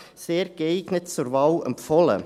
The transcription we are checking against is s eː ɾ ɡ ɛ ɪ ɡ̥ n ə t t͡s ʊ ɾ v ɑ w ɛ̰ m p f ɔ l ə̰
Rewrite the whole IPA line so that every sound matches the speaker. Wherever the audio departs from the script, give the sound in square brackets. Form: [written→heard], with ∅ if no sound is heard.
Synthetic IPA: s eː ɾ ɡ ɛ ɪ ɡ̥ n ə t t͡s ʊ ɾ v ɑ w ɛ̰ m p f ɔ l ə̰